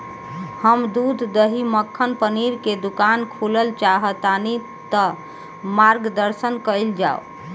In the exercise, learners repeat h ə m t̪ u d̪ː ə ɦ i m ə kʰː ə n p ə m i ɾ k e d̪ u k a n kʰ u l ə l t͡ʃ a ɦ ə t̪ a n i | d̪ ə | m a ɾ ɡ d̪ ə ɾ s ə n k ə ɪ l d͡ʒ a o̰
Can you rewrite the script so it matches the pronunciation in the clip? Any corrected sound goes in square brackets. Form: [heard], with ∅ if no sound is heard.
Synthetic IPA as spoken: h ə m [d̪] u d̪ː ə ɦ i m ə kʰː ə n p ə [n] i ɾ k e d̪ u k a n kʰ u l ə l t͡ʃ a ɦ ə t̪ a n i | [t̪] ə | m a ɾ ɡ d̪ ə ɾ s ə n k ə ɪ l d͡ʒ a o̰